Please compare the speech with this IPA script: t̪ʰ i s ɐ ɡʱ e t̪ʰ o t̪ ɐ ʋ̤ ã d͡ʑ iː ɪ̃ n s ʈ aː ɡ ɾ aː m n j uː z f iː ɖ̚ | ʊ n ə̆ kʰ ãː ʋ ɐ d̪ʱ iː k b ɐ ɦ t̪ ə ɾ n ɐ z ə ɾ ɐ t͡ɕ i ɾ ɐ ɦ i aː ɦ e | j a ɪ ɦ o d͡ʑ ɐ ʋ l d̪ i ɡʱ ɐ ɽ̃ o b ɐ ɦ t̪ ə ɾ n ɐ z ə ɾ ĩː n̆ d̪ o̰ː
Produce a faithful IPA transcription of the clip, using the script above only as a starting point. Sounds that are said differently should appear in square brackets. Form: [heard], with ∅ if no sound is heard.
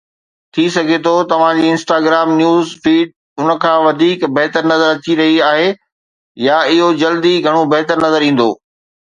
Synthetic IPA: t̪ʰ i s ɐ ɡʱ e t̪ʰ o t̪ ɐ ʋ̤ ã d͡ʑ iː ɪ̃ n s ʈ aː ɡ ɾ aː m n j uː z f iː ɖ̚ | ʊ n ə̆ kʰ ãː ʋ ɐ d̪ʱ iː k b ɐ ɦ t̪ ə ɾ n ɐ z ə ɾ ɐ t͡ɕ i ɾ ɐ ɦ i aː ɦ e | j a ɪ ɦ o d͡ʑ ɐ [∅] l d̪ i ɡʱ ɐ ɽ̃ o b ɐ ɦ t̪ ə ɾ n ɐ z ə ɾ ĩː n̆ d̪ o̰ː